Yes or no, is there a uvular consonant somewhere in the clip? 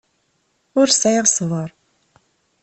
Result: yes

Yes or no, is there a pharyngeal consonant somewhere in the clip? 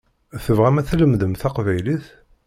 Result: no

